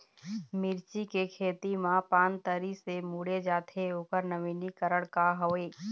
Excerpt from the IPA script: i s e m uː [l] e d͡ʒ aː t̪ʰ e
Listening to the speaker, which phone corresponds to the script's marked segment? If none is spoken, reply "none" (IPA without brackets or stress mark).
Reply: ɽ